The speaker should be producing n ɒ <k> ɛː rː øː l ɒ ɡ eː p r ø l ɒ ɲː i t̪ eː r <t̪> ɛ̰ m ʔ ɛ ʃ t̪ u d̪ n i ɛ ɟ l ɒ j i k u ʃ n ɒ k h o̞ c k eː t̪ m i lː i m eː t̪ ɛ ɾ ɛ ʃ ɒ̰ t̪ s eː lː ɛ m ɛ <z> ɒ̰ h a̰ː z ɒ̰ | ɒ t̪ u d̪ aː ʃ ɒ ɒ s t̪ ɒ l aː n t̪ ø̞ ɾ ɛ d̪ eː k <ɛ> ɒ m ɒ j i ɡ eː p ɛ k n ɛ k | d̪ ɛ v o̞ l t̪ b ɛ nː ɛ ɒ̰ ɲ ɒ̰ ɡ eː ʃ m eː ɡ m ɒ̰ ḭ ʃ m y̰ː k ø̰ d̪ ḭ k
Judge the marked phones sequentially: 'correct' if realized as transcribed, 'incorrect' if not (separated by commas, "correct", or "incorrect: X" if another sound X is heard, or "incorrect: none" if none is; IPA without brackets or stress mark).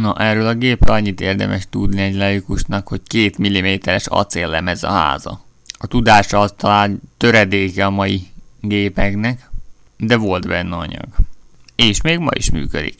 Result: incorrect: ʔ, incorrect: d̪, correct, correct